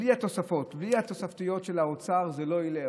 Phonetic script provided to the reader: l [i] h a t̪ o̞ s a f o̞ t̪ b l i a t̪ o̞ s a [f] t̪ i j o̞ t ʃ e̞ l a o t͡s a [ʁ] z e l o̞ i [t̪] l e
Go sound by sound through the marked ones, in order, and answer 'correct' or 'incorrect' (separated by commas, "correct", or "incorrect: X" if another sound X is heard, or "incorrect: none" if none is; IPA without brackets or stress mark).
correct, correct, correct, incorrect: none